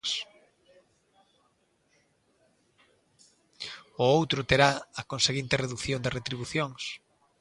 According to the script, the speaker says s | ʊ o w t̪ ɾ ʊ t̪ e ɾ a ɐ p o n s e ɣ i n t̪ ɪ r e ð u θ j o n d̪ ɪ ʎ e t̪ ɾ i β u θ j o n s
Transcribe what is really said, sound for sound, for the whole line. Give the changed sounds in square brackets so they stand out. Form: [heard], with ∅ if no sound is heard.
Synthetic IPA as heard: s | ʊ o w t̪ ɾ ʊ t̪ e ɾ a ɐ [k] o n s e ɣ i n t̪ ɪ r e ð u θ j o n d̪ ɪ [r] e t̪ ɾ i β u θ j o [ŋ] s